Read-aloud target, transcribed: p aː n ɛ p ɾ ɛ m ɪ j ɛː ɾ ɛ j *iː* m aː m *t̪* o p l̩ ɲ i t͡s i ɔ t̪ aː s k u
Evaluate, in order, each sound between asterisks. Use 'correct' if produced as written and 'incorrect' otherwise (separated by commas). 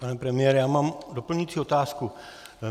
incorrect, incorrect